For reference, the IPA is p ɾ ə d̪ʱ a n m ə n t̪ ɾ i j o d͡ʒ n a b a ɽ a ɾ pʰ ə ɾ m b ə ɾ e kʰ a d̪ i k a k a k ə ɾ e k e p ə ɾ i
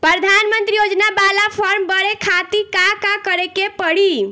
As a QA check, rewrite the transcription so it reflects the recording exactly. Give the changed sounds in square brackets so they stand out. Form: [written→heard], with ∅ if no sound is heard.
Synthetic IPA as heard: p ɾ ə d̪ʱ a n m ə n t̪ ɾ i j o d͡ʒ n a b a [ɽ→l] a [ɾ→∅] pʰ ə ɾ m b ə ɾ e kʰ a [d̪→t̪] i k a k a k ə ɾ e k e p ə [ɾ→ɽ] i